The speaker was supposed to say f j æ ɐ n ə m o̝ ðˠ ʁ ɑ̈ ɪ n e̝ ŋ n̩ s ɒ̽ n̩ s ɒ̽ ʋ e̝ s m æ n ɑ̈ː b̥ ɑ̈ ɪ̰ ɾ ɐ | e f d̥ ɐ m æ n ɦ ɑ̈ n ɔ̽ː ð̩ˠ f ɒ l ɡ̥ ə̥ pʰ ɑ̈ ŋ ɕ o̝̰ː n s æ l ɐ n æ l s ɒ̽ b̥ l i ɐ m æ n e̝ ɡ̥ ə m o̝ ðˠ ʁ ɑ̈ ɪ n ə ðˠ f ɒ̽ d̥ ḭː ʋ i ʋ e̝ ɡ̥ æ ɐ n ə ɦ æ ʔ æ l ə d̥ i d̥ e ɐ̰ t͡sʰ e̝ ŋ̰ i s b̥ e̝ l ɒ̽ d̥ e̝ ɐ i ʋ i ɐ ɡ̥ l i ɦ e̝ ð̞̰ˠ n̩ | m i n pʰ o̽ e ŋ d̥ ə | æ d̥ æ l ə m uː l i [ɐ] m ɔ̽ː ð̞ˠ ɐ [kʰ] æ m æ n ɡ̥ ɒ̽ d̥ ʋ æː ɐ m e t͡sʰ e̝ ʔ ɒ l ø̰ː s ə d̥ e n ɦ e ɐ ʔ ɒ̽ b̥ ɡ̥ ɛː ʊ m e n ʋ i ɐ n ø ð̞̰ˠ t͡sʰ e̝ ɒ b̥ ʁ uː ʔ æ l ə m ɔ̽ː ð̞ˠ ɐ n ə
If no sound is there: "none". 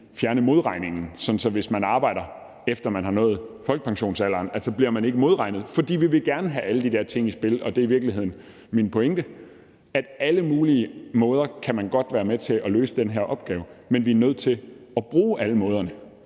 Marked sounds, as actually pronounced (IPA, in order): ə, kʰ

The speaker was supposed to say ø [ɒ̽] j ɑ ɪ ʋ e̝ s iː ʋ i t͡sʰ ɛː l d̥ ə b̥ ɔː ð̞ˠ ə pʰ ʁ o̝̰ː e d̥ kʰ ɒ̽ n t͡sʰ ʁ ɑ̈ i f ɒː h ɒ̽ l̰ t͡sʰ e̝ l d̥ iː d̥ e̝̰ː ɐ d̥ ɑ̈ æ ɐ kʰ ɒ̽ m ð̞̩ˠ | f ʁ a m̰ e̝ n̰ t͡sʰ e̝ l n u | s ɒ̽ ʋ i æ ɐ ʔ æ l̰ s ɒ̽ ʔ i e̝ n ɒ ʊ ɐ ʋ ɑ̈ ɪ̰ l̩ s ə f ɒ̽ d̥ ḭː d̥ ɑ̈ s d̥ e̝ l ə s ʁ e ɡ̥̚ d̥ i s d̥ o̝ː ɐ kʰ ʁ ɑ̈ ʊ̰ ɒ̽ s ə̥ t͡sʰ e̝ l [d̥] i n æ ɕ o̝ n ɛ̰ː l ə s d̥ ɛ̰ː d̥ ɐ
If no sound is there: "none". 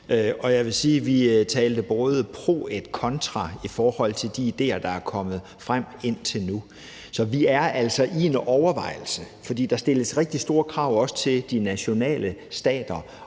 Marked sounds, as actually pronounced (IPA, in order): ɒ̽, d̥

